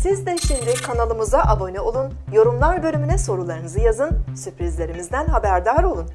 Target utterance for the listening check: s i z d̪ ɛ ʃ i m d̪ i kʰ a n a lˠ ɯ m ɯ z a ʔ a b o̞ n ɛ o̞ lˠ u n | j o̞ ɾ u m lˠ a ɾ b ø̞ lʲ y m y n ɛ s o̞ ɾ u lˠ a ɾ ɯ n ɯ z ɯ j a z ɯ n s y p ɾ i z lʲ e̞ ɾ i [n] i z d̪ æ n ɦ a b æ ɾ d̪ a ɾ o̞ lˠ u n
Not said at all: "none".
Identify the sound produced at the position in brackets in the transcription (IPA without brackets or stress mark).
m